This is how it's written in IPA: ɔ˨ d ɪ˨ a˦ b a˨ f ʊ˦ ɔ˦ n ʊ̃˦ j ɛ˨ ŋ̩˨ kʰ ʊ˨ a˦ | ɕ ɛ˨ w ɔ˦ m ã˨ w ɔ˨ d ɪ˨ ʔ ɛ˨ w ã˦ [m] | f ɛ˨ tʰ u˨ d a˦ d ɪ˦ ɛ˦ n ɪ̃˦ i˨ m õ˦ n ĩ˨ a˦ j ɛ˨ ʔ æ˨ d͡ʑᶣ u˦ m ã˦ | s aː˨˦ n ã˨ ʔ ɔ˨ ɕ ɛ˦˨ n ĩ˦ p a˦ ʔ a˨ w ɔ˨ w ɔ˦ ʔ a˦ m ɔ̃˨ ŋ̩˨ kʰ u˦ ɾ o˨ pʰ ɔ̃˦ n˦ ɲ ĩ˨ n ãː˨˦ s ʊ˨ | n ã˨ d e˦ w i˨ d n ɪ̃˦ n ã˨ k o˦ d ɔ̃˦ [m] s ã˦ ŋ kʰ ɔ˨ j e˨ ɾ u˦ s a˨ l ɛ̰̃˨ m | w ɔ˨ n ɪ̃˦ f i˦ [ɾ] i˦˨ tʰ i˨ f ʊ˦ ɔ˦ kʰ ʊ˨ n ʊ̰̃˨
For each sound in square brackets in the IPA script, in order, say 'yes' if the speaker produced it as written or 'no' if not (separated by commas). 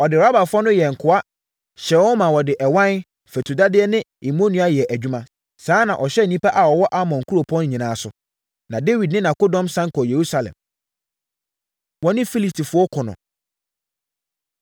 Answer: no, yes, no